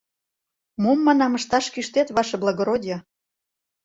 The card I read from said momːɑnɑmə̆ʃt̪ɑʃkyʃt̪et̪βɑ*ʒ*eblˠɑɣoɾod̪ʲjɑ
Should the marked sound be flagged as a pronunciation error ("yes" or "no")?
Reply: yes